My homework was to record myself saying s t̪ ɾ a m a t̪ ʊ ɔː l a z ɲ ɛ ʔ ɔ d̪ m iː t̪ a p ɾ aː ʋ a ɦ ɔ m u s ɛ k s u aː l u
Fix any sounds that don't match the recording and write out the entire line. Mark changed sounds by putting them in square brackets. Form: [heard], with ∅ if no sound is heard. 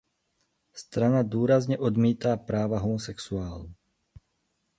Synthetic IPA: s t̪ ɾ a [n] a [d̪] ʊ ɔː [ɾ] a z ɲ ɛ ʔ ɔ d̪ m iː t̪ a p ɾ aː ʋ a ɦ ɔ m [ɔ] s ɛ k s u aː l u